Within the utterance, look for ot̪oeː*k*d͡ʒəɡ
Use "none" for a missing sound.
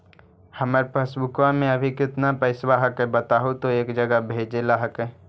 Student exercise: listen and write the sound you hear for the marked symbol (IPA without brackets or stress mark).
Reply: k